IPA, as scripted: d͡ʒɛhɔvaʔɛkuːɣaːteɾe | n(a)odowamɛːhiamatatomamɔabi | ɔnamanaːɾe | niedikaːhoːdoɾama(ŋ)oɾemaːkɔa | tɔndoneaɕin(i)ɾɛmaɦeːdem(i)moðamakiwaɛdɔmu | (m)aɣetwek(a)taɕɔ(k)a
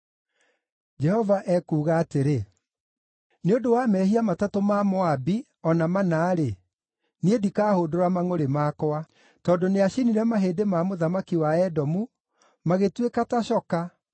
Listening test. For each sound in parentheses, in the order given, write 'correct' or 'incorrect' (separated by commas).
incorrect, correct, correct, incorrect, correct, correct, correct